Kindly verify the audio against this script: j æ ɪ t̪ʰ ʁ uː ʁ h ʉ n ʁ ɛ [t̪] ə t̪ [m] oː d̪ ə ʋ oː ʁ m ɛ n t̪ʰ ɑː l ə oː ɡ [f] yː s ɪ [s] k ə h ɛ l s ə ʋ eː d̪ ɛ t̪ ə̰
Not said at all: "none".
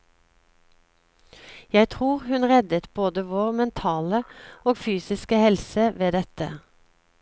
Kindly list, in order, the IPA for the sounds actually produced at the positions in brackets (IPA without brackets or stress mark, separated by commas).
d̪, b, f, s